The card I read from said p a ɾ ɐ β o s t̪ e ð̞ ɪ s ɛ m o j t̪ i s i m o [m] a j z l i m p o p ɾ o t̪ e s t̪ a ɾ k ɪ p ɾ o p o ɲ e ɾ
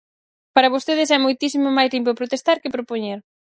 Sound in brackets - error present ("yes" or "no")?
no